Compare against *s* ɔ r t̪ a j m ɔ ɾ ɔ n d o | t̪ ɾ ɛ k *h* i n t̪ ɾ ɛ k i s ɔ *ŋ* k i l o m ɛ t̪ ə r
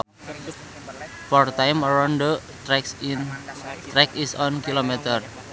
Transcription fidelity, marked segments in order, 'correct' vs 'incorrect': incorrect: f, incorrect: s, incorrect: n

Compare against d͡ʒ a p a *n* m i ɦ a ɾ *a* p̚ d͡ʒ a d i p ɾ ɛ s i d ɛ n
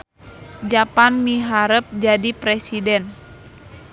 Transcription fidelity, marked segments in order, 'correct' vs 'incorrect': correct, incorrect: ə

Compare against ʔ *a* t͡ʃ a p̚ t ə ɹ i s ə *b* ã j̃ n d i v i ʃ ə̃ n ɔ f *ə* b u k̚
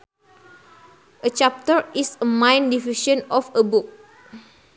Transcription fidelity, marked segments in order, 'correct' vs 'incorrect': incorrect: ə, incorrect: m, correct

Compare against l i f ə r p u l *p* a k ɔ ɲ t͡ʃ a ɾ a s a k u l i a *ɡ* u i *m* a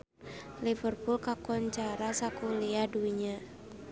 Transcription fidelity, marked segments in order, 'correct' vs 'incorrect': incorrect: k, incorrect: d, incorrect: ɲ

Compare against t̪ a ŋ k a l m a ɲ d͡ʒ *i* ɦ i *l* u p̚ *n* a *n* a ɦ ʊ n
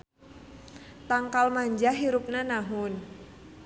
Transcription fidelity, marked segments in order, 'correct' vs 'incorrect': incorrect: a, incorrect: ɾ, correct, correct

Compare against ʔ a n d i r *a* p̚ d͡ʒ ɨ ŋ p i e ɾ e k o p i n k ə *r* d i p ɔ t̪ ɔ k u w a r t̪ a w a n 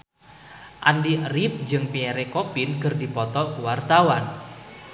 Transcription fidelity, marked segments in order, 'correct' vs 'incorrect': incorrect: i, correct

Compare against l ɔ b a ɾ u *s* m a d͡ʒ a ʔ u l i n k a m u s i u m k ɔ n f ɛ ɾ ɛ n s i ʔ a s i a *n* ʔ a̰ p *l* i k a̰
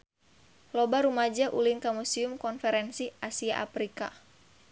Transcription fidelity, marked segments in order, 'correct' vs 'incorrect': incorrect: none, incorrect: none, incorrect: ɾ

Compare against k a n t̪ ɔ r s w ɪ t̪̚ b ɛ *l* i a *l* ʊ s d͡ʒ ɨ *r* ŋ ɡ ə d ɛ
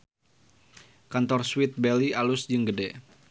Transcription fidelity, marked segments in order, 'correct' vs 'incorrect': correct, correct, incorrect: none

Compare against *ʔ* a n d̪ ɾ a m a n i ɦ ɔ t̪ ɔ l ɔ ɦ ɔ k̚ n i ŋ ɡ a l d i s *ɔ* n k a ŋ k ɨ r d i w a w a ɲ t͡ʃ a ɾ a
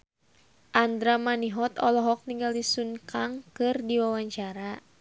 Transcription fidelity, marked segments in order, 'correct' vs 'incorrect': correct, incorrect: u

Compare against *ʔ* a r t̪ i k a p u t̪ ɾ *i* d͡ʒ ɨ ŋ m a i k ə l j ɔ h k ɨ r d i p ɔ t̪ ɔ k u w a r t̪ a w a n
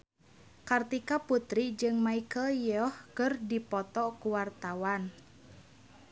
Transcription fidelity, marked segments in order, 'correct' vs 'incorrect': incorrect: k, correct

